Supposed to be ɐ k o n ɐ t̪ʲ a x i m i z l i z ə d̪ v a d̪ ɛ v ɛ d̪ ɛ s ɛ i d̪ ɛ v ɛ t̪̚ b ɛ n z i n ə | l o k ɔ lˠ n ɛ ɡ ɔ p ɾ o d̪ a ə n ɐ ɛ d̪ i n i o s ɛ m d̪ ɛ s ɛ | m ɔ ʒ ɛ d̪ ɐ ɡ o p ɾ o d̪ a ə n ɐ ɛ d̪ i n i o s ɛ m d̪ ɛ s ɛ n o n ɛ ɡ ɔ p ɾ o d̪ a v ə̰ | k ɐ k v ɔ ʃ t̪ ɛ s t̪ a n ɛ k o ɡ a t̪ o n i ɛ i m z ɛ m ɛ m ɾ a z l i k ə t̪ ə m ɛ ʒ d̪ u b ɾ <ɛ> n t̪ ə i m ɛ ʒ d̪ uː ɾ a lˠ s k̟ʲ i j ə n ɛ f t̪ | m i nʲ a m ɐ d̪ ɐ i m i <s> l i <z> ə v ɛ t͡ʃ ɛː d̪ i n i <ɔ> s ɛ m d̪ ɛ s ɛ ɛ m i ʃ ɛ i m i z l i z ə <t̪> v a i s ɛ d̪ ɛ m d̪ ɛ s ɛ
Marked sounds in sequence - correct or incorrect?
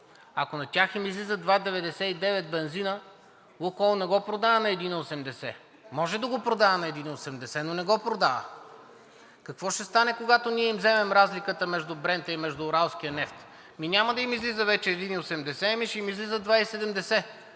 correct, incorrect, correct, incorrect, incorrect

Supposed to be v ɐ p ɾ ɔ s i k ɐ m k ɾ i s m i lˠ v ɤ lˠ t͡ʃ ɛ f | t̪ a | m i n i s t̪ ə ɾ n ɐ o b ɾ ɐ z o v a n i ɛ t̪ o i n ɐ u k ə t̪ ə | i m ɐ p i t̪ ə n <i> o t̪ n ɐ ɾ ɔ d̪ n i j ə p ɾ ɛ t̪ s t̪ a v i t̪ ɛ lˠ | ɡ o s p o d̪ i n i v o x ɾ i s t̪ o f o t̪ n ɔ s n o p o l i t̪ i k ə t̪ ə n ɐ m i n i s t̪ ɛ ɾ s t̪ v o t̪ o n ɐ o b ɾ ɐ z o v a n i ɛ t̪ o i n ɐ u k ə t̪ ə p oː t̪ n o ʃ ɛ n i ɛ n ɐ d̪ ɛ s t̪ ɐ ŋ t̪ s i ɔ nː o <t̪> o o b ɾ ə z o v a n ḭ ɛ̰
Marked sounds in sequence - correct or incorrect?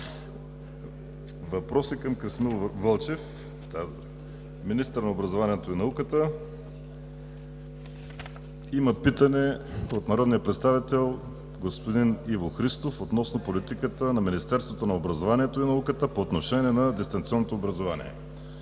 incorrect, correct

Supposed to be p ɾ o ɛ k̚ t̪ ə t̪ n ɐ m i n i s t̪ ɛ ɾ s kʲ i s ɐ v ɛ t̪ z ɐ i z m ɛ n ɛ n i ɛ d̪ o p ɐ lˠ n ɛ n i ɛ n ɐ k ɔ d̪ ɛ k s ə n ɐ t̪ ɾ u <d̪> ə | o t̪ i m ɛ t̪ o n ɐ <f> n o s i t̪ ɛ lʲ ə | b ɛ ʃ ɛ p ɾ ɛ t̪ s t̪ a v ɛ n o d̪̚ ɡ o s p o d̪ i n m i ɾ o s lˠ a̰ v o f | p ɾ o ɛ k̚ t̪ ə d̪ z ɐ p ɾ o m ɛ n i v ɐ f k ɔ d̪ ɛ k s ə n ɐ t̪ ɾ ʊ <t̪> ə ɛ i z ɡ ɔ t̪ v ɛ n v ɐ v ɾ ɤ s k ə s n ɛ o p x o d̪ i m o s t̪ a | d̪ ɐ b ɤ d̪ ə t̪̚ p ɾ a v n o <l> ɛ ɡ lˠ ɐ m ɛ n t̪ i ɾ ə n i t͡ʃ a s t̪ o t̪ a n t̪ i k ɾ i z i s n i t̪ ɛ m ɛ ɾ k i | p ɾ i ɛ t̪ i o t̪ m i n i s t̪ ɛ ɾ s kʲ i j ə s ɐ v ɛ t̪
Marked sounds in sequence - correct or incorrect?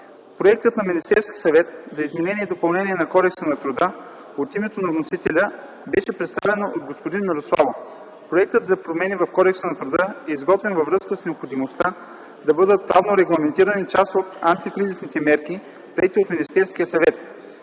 correct, incorrect, incorrect, incorrect

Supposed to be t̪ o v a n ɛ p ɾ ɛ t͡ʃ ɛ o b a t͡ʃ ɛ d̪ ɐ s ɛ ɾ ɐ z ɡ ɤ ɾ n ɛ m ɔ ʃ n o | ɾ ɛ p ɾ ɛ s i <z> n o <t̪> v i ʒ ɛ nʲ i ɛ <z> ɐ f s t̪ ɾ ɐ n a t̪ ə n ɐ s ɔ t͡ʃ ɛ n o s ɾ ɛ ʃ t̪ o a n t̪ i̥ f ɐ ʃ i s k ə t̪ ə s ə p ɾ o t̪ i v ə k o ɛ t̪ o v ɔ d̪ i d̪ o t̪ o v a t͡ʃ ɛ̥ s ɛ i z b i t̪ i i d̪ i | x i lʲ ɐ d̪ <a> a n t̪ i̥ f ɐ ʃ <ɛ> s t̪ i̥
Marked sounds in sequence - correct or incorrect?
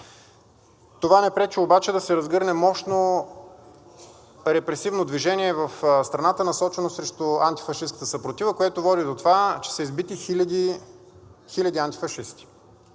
incorrect, incorrect, incorrect, incorrect, incorrect

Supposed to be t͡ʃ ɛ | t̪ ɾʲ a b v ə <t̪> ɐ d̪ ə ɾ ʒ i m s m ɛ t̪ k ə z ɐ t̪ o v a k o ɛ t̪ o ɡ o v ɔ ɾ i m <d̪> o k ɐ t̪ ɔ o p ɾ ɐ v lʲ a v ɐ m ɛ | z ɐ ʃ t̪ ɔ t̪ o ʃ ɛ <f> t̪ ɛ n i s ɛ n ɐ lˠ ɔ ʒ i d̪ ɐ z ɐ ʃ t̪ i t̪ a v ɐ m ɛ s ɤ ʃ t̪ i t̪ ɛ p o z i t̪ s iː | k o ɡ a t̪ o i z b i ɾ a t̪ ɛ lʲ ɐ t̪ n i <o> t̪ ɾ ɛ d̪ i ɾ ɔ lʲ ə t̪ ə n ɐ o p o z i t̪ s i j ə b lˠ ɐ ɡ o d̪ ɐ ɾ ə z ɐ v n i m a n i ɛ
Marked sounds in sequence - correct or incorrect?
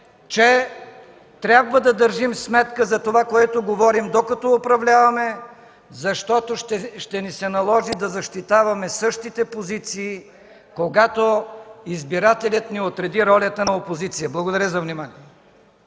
incorrect, correct, incorrect, correct

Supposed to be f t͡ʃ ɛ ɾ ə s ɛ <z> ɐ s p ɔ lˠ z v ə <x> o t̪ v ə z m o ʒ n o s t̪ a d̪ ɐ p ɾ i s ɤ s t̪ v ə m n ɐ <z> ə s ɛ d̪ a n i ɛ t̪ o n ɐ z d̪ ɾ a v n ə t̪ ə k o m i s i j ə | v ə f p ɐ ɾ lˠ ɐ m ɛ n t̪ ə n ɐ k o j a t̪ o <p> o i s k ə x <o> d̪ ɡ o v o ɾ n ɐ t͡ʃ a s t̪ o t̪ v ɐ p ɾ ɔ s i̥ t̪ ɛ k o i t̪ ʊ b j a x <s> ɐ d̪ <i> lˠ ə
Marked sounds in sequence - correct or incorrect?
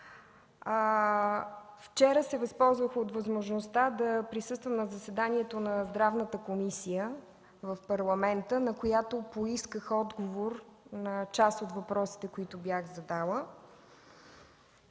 incorrect, correct, correct, correct, incorrect, incorrect, incorrect

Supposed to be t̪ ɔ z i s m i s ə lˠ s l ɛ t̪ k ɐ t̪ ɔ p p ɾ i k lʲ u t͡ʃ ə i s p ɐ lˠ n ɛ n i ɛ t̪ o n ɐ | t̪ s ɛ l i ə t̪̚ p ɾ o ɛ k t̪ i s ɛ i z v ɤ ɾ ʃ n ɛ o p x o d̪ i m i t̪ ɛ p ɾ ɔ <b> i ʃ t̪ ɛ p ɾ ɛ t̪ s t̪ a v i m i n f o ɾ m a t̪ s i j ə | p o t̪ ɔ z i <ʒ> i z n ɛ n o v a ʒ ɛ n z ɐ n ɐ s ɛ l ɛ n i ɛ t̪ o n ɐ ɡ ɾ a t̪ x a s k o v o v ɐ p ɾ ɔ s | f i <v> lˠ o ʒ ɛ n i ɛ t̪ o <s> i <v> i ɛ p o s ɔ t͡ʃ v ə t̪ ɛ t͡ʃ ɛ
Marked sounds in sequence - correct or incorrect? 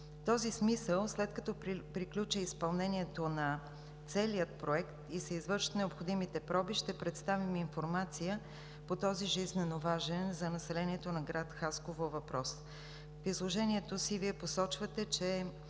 correct, correct, incorrect, correct, correct

